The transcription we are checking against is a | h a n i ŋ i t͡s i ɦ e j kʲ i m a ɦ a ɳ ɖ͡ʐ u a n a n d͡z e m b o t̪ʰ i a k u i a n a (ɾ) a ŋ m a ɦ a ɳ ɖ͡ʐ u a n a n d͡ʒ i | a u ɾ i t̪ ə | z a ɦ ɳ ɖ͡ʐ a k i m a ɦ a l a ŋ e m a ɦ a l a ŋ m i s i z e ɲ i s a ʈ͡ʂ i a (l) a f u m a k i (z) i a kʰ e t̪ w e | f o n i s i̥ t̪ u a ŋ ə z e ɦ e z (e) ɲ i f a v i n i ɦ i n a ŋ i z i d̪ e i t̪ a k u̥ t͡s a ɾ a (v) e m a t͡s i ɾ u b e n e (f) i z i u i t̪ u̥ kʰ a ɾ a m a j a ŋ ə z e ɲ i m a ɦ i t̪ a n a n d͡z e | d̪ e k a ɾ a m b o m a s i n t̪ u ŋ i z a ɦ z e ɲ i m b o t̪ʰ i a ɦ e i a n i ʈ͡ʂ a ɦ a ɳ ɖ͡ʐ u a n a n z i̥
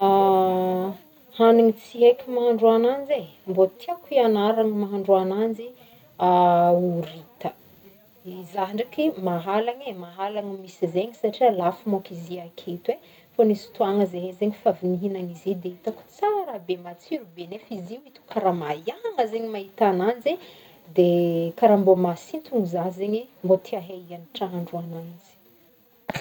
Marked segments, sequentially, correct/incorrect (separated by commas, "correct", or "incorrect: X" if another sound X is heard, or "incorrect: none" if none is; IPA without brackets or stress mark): correct, correct, correct, correct, incorrect: b, correct